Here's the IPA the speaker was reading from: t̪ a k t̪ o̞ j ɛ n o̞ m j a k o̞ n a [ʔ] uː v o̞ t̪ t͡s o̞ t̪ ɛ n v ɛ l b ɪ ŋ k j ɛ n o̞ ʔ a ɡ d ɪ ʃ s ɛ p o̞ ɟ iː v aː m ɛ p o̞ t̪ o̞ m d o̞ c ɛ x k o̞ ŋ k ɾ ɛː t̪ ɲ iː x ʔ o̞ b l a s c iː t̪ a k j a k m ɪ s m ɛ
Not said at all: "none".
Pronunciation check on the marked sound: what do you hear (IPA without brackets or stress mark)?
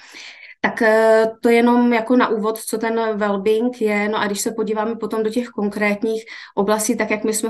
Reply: ʔ